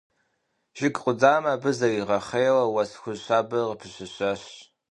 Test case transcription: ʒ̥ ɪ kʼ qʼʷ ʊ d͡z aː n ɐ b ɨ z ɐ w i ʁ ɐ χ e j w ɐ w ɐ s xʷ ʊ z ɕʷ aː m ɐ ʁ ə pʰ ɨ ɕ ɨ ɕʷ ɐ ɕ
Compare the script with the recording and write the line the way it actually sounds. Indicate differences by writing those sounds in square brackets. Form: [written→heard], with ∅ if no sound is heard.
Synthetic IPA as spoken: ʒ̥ ɪ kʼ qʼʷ ʊ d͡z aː [n→m] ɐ b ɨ z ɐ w i ʁ ɐ χ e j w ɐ w ɐ s xʷ ʊ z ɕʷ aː [m→b] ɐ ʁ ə pʰ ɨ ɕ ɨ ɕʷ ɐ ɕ